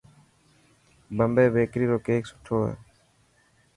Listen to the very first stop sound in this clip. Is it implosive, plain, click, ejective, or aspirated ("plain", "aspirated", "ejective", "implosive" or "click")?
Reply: plain